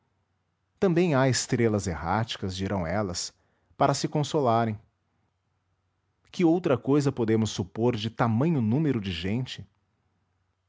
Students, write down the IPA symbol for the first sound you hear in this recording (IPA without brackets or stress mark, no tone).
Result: t̪